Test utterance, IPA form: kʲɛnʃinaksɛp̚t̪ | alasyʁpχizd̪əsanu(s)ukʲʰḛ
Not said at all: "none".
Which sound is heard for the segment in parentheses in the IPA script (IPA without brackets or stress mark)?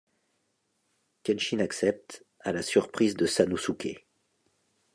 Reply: s